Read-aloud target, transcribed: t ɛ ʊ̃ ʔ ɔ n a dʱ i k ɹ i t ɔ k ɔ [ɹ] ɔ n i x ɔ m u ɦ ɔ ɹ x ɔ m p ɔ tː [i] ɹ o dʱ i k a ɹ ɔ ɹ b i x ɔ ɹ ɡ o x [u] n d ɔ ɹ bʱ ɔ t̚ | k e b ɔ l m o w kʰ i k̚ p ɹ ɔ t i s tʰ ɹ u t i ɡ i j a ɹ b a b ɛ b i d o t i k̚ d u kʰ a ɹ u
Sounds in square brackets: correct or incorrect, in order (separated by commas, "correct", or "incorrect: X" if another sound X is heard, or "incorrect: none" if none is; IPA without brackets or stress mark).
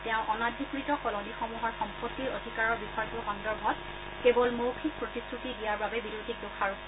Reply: incorrect: l, correct, incorrect: ɔ